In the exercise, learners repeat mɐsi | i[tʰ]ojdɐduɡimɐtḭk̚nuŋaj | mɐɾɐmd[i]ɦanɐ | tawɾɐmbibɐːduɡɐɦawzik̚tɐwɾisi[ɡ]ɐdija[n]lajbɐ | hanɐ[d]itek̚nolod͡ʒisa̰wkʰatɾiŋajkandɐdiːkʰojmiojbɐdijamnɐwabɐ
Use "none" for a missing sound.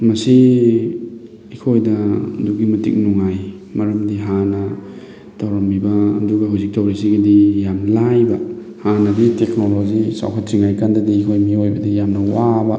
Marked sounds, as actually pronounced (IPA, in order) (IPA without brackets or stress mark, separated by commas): kʰ, i, ɡ, m, d